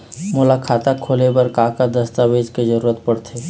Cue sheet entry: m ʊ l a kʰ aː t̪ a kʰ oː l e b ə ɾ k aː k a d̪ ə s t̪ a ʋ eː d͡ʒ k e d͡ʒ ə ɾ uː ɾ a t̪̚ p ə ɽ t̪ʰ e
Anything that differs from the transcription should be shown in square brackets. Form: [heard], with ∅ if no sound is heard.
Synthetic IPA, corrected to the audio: m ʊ l a kʰ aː t̪ a kʰ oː l e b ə ɾ k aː k a d̪ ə s t̪ a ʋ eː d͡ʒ k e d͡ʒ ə ɾ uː ɾ [ə] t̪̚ p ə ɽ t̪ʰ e